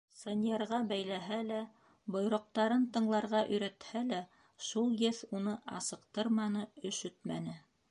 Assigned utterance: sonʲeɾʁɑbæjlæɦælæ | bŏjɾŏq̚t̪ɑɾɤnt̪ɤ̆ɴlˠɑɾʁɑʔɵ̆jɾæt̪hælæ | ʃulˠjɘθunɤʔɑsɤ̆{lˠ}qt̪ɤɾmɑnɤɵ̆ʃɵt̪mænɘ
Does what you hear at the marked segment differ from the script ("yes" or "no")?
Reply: yes